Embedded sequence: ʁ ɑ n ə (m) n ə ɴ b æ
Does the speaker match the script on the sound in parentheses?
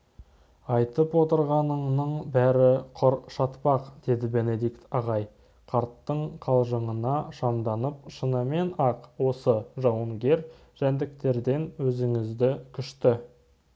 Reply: no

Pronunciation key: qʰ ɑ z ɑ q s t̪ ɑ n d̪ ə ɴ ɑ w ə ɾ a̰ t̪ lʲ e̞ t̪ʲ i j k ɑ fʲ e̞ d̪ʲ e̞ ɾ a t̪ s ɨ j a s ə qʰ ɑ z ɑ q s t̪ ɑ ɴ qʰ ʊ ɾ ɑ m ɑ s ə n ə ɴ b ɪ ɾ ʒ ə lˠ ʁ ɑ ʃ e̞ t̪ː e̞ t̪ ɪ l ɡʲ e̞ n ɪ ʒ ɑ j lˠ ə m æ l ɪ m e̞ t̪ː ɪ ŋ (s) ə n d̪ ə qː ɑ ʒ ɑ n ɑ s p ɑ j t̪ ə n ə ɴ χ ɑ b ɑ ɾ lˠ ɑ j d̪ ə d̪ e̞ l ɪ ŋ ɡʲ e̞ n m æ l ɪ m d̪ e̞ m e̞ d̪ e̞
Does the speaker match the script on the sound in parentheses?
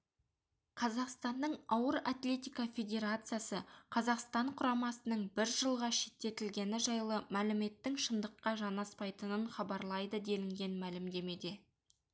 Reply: no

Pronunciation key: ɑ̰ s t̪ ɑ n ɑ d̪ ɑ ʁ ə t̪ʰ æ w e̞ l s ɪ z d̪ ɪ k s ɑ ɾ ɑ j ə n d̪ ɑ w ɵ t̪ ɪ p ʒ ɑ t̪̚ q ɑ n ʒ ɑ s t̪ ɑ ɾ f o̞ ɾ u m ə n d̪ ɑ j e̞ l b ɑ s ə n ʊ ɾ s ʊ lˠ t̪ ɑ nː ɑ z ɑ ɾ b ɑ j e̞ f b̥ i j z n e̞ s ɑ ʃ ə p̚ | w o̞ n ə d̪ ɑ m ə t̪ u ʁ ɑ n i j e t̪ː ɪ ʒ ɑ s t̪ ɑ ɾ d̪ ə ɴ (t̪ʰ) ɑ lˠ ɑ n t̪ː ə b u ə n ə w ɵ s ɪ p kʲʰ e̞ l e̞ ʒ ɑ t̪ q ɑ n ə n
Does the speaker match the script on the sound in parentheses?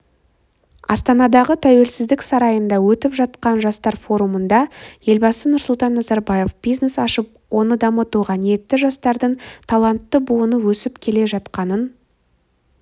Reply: yes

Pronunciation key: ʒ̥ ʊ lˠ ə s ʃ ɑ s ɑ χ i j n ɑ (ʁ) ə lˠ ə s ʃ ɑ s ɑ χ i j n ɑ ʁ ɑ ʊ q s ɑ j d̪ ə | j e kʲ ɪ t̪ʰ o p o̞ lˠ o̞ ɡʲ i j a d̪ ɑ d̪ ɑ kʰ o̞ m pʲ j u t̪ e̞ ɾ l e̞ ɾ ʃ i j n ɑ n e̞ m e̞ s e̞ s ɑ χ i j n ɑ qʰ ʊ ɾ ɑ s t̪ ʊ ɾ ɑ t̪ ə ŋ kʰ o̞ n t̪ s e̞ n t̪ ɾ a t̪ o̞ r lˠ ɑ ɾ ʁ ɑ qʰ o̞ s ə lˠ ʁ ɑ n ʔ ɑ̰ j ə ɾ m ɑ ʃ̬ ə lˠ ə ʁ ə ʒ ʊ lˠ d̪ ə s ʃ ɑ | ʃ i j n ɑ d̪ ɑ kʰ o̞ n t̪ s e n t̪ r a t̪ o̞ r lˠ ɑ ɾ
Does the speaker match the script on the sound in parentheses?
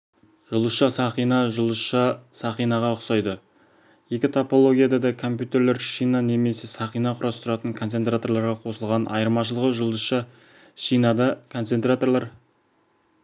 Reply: no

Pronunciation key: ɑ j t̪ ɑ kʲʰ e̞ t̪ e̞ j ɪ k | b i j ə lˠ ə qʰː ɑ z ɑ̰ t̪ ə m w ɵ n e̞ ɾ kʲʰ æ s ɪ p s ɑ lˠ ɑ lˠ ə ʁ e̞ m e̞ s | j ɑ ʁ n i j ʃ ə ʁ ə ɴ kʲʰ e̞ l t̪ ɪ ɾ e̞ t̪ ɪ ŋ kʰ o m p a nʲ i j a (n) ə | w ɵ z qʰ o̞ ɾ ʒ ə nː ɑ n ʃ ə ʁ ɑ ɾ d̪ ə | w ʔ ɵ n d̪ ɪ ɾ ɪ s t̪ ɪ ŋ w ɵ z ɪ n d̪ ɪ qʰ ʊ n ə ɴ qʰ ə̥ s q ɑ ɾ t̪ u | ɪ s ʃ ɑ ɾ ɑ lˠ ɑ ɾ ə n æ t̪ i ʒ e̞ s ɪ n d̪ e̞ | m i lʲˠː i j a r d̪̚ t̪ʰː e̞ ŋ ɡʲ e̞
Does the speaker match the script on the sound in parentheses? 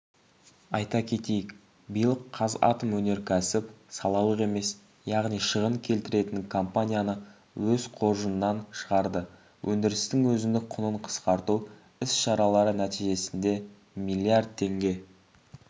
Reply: yes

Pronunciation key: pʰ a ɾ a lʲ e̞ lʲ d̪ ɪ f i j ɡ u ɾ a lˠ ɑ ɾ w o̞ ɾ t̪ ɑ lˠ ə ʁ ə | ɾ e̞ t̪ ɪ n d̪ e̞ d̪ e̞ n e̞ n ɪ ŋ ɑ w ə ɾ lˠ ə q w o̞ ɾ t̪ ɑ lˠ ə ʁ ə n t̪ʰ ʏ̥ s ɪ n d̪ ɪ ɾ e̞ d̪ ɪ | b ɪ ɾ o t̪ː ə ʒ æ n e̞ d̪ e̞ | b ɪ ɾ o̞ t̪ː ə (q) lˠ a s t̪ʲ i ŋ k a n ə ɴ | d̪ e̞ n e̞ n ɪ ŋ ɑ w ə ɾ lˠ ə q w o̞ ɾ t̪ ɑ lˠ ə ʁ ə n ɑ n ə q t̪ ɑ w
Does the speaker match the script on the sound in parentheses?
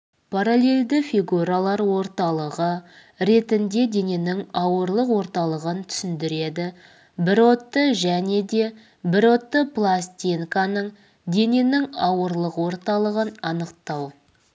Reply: no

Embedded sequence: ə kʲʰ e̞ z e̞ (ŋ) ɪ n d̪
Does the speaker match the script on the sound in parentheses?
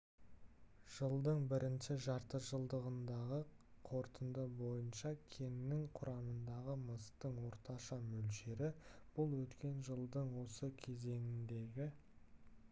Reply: yes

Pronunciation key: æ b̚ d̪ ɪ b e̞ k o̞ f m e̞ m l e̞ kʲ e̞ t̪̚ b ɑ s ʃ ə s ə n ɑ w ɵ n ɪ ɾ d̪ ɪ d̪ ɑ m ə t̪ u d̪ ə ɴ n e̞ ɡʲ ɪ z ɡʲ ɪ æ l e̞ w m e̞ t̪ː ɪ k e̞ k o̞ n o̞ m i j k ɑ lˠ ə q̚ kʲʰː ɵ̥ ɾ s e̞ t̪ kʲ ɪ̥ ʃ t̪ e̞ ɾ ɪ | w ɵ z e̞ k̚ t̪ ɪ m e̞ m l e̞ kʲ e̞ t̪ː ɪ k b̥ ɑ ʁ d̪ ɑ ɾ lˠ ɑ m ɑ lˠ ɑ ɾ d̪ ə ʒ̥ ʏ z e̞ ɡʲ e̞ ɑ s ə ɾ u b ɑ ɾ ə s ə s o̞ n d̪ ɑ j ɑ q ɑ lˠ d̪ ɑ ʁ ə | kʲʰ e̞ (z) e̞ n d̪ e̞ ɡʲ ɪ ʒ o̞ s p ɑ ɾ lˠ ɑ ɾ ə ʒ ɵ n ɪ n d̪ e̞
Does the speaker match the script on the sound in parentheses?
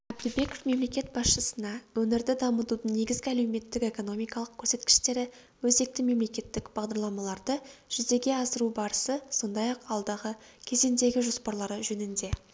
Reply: yes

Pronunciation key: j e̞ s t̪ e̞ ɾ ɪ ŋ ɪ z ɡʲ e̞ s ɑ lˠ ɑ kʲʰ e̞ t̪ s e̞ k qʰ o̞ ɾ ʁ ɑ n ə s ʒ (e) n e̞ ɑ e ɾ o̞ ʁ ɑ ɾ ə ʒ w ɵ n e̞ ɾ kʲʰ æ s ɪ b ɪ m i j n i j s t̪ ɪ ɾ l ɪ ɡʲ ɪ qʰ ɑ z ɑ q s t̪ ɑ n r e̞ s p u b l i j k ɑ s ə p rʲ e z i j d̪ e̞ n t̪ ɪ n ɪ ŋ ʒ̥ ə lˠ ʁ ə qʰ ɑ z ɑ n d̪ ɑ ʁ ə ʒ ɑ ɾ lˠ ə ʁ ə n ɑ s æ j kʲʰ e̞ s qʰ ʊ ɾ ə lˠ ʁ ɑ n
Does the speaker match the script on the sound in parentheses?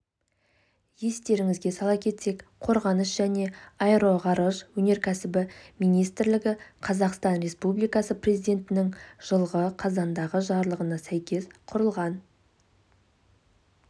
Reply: no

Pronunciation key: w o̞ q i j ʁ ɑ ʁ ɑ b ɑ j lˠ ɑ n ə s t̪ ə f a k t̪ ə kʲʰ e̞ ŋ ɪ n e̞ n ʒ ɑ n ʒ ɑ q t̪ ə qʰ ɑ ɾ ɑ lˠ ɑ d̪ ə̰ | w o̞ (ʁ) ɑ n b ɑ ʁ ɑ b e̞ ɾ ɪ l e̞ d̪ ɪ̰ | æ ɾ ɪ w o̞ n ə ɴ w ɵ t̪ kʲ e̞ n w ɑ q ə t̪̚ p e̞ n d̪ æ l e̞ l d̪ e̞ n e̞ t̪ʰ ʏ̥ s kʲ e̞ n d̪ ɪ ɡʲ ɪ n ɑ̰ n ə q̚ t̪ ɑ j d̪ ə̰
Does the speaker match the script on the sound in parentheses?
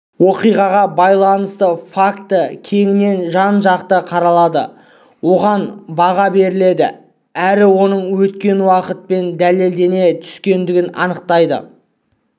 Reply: yes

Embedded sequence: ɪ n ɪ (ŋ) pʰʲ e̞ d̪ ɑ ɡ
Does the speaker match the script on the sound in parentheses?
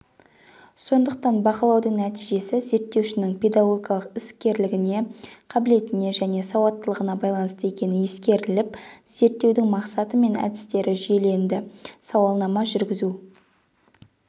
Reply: yes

